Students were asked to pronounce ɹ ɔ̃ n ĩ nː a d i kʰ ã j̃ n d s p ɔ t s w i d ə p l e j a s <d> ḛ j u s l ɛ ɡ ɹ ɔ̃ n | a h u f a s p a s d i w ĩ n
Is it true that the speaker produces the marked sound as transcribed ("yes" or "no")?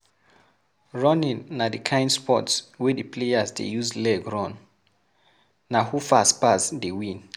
yes